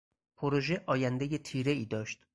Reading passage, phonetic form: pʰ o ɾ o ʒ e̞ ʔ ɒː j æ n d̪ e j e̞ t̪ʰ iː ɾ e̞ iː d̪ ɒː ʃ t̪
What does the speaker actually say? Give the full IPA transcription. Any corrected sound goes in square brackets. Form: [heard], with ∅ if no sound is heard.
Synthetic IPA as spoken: pʰ o ɾ o ʒ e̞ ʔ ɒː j æ n d̪ e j e̞ t̪ʰ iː ɾ e̞ iː d̪ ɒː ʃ t̪